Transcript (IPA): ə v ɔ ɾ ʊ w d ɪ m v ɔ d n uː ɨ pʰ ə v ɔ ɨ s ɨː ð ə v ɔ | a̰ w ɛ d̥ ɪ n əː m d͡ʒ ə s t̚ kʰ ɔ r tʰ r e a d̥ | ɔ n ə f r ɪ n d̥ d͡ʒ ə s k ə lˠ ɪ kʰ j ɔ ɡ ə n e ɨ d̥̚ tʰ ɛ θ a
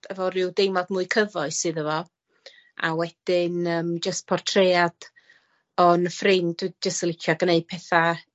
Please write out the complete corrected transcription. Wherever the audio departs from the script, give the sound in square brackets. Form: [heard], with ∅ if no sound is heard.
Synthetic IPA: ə v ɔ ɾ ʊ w d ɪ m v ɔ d [m] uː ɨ [kʰ] ə v ɔ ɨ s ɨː ð ə v ɔ | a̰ w ɛ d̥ ɪ n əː m d͡ʒ ə s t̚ [pʰ] ɔ r tʰ r e a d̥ | ɔ n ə f r ɪ n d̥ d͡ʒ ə s [t] ə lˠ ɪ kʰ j ɔ ɡ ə n e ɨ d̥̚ [pʰ] ɛ θ a